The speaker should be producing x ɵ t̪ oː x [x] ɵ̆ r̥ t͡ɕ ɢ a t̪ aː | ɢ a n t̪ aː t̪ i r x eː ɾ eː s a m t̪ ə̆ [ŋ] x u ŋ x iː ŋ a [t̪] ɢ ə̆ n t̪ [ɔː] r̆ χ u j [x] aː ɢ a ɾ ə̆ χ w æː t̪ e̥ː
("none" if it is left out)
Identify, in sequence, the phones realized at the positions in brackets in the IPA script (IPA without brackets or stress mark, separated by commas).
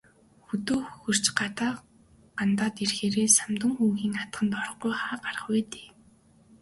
x, ŋ, t̪, ɔ, χ